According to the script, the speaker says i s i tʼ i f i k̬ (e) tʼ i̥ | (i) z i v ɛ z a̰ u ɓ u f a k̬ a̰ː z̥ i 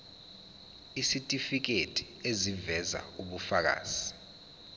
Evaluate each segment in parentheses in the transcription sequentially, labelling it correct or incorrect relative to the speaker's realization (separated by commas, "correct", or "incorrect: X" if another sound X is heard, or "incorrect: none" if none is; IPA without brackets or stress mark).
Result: correct, incorrect: e